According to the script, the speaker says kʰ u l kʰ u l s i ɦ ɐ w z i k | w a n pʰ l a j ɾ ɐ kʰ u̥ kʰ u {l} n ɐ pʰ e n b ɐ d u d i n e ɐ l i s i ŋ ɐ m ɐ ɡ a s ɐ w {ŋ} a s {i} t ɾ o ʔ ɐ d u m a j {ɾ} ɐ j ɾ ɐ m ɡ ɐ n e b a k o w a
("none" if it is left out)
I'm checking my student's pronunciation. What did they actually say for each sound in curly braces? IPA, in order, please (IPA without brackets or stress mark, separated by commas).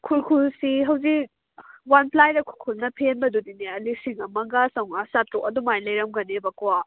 l, ŋ, a, l